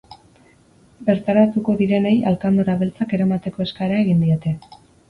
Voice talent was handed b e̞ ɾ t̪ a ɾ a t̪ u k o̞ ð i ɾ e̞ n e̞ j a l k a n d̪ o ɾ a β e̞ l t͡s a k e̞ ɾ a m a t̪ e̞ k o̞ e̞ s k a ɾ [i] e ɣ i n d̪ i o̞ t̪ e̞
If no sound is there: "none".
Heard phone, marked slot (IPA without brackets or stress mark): a